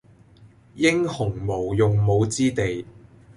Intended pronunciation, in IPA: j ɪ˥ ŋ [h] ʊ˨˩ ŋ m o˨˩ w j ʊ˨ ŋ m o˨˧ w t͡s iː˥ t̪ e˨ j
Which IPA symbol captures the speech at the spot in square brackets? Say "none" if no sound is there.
h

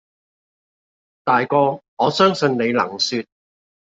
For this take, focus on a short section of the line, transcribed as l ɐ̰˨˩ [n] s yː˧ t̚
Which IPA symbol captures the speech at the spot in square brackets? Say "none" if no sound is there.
ŋ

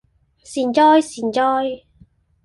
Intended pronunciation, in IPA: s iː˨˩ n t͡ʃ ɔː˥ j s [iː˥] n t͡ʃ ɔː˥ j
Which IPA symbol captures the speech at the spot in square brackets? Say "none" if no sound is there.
iː˨˩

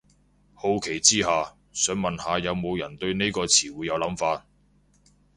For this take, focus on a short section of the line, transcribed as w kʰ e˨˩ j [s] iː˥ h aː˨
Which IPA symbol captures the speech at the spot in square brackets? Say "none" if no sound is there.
t͡s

